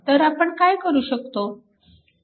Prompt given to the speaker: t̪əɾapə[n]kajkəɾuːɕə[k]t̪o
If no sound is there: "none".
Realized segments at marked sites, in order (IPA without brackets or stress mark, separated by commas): ɳ, k